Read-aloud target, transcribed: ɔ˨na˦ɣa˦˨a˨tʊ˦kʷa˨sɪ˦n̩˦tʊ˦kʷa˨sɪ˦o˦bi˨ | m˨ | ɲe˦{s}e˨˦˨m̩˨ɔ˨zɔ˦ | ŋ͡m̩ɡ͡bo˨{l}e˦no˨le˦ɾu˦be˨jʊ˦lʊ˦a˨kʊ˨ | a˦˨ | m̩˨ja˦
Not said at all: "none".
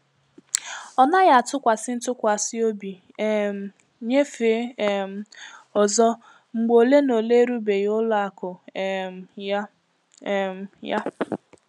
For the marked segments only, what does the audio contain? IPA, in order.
f, l

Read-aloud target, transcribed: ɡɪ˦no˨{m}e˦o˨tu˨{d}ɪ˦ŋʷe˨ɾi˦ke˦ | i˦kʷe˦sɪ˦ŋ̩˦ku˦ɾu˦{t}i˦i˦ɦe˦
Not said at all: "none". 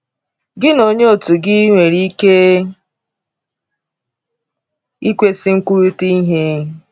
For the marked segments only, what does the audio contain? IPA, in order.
ɲ, ɡ, t

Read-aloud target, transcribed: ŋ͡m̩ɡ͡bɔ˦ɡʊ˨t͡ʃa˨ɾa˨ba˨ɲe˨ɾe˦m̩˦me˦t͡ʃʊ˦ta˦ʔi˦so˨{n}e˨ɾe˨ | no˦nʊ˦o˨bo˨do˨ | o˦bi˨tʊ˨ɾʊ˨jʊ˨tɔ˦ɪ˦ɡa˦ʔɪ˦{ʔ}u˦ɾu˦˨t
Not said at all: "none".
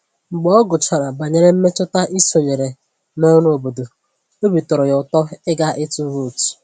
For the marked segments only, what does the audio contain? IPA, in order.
ɲ, t

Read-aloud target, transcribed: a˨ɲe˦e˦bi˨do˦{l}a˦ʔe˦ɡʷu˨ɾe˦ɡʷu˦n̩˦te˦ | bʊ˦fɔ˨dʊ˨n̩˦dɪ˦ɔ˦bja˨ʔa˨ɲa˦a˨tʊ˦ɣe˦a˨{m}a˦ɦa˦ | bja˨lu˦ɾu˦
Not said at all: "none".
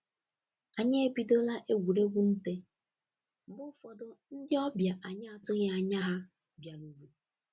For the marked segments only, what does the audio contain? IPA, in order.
l, ɲ

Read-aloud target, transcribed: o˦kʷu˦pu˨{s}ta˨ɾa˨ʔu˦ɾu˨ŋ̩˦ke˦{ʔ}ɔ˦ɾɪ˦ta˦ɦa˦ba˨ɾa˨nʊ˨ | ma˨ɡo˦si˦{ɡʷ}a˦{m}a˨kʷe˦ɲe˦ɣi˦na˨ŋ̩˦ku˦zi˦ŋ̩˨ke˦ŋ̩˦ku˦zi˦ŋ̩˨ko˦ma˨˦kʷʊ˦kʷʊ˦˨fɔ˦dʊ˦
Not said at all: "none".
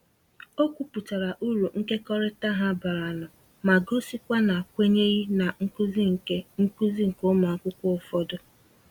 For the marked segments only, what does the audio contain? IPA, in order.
none, k, kʷ, n

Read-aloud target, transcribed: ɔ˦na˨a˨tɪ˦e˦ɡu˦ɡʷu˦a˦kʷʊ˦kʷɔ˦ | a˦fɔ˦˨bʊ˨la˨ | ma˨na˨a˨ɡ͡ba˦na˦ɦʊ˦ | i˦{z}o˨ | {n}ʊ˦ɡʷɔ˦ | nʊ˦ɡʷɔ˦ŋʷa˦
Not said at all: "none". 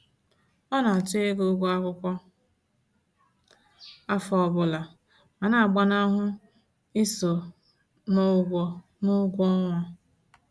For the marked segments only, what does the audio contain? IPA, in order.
s, n

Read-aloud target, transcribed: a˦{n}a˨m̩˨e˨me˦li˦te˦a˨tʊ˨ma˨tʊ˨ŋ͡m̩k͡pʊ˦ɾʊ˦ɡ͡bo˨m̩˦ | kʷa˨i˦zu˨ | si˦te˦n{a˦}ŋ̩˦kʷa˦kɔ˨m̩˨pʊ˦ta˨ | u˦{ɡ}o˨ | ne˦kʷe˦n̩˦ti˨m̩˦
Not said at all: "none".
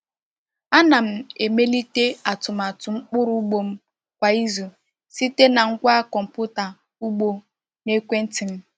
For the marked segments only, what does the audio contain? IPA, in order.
n, a˨, ɡ͡b

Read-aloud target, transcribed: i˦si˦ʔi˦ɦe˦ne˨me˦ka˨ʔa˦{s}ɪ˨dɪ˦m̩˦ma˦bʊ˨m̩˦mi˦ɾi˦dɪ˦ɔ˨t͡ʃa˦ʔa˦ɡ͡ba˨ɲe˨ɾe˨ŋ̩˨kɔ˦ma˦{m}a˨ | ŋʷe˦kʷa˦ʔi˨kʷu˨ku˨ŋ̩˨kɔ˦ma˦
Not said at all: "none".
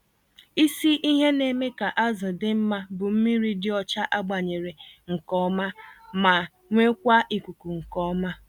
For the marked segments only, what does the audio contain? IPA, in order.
z, m

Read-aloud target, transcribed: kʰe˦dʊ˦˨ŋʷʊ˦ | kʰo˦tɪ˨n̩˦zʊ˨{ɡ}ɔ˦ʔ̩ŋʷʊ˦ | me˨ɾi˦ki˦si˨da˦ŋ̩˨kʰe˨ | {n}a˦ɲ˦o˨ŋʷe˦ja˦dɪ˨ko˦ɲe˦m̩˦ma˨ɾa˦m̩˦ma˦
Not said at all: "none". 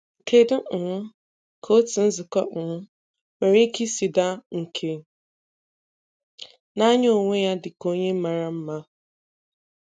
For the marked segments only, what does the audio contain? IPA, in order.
k, n

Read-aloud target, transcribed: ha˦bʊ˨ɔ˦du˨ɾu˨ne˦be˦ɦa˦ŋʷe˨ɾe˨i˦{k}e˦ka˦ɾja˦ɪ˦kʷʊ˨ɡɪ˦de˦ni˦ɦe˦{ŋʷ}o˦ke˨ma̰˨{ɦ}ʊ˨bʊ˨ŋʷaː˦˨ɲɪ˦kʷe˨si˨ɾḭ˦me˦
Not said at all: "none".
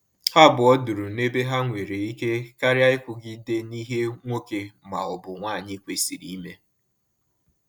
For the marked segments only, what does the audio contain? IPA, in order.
k, ŋʷ, none

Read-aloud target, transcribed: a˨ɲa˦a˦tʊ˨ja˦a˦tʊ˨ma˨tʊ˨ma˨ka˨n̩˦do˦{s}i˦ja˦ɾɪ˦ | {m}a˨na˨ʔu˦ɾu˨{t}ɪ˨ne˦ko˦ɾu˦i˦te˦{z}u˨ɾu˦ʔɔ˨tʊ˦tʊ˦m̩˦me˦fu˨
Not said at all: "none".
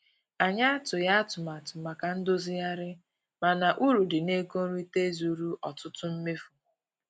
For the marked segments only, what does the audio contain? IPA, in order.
z, m, d, z

